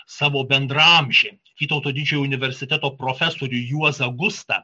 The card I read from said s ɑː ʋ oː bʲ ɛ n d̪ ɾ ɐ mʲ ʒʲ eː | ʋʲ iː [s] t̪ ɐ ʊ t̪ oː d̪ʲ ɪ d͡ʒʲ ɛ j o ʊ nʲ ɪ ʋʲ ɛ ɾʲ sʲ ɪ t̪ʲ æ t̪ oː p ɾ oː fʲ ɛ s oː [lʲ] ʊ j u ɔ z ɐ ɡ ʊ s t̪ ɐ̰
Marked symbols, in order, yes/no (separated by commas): no, no